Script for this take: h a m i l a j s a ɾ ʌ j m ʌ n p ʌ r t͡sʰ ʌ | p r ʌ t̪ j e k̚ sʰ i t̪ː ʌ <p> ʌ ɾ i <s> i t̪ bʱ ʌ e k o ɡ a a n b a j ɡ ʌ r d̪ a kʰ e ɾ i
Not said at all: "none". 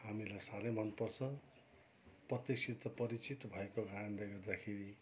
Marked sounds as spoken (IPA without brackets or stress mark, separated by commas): p, t͡s